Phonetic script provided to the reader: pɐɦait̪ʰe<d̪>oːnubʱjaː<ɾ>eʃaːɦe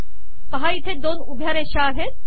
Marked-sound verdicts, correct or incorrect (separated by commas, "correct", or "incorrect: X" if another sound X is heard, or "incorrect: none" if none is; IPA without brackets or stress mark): correct, correct